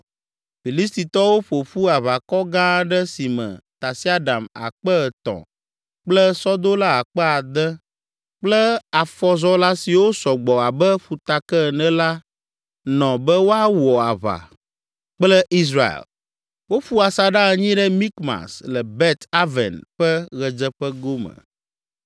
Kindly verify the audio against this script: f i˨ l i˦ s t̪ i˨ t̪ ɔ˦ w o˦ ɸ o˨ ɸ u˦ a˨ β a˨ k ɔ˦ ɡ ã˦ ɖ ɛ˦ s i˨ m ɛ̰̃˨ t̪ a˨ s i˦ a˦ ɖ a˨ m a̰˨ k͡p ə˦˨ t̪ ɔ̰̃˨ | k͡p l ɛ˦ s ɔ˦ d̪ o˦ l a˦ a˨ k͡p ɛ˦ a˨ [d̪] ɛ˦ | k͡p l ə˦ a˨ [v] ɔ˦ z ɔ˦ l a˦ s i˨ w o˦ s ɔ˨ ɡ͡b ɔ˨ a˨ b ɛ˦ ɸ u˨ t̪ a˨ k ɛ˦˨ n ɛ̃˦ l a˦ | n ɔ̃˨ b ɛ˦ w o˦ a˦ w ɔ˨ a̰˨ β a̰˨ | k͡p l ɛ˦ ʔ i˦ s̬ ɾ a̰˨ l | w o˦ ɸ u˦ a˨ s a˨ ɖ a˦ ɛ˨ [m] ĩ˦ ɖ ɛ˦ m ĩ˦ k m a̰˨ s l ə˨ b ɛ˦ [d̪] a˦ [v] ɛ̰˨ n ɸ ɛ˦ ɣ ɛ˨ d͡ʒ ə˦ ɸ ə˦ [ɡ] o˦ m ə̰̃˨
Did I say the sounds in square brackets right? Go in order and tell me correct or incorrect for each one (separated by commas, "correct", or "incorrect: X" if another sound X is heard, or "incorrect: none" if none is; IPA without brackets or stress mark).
correct, incorrect: f, incorrect: ɲ, incorrect: t̪, correct, correct